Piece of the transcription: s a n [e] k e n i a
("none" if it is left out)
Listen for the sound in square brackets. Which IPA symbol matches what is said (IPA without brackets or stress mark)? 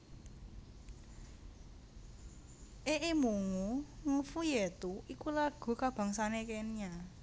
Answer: e